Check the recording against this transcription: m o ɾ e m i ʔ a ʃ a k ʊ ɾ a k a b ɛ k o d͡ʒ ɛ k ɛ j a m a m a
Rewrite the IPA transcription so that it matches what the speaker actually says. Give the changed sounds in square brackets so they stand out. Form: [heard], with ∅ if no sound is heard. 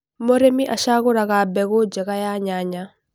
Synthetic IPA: m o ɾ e m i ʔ a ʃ a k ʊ ɾ a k a b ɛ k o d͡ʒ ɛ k [a] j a [ɲ] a [ɲ] a